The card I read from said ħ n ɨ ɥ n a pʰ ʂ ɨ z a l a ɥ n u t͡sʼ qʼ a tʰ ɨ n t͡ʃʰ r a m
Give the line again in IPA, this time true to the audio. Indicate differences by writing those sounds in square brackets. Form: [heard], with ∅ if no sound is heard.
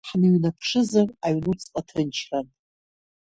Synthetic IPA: ħ n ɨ ɥ n a pʰ ʂ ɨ z a [r] a ɥ n u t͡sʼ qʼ a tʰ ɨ n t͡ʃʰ r a [n]